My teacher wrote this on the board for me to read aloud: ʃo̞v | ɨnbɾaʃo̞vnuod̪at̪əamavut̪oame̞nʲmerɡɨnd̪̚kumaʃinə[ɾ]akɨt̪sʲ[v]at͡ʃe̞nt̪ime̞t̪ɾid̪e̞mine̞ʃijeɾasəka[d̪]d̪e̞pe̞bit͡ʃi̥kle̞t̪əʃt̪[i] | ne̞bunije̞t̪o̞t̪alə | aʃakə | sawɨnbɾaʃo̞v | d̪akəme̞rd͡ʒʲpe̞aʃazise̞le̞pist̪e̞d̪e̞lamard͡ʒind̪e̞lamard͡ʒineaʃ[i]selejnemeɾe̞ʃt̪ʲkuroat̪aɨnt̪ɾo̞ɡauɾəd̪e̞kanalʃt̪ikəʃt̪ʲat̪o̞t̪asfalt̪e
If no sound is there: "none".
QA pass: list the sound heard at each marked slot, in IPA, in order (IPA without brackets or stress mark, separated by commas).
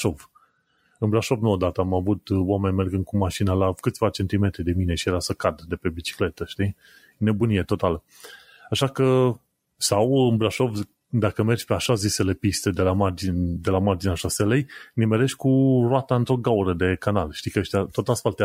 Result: l, v, d̪, i, a